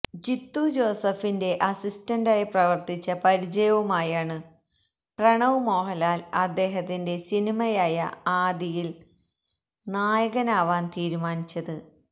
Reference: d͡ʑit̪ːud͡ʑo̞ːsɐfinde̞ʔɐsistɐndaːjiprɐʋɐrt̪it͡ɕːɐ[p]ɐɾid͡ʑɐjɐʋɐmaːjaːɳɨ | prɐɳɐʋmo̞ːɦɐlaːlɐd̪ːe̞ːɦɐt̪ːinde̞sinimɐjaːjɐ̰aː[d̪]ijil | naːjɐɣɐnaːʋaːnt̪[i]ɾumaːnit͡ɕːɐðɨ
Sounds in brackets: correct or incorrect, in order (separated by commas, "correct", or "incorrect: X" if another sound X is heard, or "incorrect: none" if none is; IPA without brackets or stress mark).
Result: correct, correct, incorrect: iː